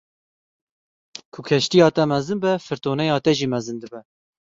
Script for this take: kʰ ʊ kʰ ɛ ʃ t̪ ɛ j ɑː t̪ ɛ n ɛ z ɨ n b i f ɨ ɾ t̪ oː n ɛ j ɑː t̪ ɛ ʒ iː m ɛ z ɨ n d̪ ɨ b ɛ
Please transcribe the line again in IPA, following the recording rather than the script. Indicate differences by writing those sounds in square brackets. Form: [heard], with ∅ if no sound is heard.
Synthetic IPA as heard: kʰ ʊ kʰ ɛ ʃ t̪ [i] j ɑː t̪ ɛ [m] ɛ z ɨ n b [ɛ] f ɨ ɾ t̪ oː n ɛ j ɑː t̪ ɛ ʒ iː m ɛ z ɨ n d̪ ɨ b ɛ

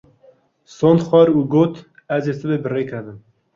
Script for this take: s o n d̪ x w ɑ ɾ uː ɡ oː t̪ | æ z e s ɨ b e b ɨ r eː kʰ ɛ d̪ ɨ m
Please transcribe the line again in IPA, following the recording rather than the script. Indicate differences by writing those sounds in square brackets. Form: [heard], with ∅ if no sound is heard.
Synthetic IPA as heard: s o n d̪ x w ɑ ɾ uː ɡ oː t̪ | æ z e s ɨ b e b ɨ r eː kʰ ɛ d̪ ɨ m

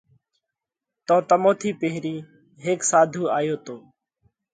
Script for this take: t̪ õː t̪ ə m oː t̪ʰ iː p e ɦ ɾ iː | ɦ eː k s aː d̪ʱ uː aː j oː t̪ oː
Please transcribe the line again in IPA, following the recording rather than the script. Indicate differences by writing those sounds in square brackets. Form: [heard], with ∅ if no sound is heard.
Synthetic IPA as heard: t̪ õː t̪ ə m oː t̪ʰ iː p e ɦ ɾ iː | ɦ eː k s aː d̪ʱ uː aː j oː t̪ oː

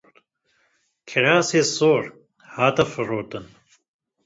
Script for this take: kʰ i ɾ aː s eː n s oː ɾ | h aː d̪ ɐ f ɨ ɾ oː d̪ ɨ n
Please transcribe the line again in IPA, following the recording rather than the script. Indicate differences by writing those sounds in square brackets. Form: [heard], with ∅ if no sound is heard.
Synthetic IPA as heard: kʰ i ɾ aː s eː [∅] s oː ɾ | h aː [t̪] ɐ f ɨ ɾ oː [t̪] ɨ n

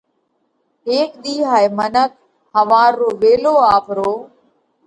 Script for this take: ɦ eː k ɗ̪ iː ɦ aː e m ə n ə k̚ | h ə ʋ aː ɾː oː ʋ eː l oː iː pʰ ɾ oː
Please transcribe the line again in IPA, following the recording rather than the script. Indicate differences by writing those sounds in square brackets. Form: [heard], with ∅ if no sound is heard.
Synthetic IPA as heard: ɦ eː k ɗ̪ iː ɦ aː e m ə n ə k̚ | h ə ʋ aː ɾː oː ʋ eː l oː [aː] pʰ ɾ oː

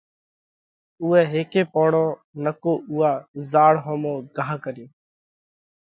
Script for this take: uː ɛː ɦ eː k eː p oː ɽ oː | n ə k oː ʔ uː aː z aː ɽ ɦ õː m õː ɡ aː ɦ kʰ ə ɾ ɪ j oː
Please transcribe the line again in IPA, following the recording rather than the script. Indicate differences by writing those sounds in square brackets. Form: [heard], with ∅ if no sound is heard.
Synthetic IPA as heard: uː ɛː ɦ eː k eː p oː ɽ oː | n ə k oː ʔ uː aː z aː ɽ ɦ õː m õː ɡ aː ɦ [k] ə ɾ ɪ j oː

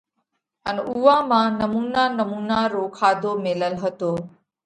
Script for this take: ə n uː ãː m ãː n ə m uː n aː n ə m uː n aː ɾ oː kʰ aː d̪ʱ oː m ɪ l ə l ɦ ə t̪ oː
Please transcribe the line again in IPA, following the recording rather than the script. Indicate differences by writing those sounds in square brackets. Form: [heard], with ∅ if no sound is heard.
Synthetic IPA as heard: ə n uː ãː m ãː n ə m uː n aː n ə m uː n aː ɾ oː kʰ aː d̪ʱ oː m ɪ l ə l ɦ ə t̪ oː

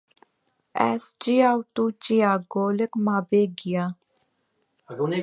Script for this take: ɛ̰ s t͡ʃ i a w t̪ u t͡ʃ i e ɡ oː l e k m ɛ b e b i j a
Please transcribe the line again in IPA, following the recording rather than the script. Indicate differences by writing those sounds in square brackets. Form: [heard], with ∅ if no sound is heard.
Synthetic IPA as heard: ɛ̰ s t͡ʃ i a w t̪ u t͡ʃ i [a] ɡ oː l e k m [a] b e [ɡ] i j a

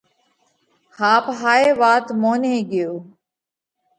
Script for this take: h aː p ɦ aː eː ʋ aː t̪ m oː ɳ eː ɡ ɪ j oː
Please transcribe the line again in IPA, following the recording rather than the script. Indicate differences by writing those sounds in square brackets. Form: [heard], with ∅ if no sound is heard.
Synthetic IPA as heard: h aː p ɦ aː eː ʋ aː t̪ m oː [n] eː ɡ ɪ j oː

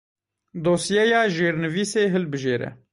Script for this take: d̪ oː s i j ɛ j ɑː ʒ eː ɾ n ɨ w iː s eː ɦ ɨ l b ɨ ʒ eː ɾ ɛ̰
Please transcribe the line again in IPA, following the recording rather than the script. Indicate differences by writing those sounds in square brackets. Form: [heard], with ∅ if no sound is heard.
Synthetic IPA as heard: d̪ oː s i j ɛ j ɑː ʒ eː ɾ n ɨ [v] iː s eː ɦ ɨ l b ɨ ʒ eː ɾ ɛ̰

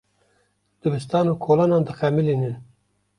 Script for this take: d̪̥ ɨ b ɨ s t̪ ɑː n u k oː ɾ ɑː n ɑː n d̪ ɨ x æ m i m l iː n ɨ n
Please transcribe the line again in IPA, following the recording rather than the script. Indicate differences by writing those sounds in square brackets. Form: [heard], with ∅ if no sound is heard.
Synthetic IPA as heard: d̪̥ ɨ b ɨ s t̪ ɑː n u [kʰ] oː [l] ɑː n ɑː n d̪ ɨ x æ m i [∅] l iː n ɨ n

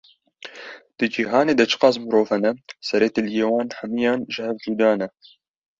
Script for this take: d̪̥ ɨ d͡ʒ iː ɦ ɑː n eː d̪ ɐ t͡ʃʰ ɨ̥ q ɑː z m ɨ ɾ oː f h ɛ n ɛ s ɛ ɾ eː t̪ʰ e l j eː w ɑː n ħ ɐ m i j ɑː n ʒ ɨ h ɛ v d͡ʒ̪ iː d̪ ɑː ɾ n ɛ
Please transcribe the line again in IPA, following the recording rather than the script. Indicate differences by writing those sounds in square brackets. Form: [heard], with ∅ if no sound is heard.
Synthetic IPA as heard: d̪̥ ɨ d͡ʒ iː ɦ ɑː n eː d̪ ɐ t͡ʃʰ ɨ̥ q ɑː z m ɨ ɾ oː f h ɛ n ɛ s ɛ ɾ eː [t̪] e l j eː w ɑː n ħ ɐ m i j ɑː n ʒ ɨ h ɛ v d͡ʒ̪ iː d̪ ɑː [∅] n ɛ

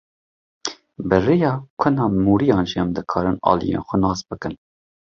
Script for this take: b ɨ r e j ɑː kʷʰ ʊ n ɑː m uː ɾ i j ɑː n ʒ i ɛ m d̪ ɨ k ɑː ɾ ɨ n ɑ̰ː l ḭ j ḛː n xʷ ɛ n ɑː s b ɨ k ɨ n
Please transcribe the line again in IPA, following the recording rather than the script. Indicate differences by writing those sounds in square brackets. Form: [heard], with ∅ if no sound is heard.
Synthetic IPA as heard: b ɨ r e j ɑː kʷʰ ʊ n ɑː m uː ɾ i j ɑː n ʒ i ɛ m d̪ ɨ [kʰ] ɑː ɾ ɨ n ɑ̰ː l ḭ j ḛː n xʷ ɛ n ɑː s b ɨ k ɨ n

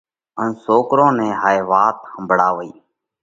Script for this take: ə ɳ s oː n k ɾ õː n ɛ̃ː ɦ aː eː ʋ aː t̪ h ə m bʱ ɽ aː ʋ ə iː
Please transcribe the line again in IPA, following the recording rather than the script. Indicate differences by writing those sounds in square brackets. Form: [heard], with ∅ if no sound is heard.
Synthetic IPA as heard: ə [n] s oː [∅] k ɾ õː n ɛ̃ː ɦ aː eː ʋ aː t̪ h ə m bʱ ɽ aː ʋ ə iː

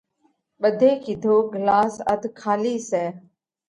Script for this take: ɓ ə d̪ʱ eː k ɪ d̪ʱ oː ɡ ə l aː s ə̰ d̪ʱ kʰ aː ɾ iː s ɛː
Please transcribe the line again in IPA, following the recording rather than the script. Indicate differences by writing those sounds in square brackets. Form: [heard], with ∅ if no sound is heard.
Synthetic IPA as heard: ɓ ə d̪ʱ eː k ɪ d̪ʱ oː ɡ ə l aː s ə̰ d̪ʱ kʰ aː [l] iː s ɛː

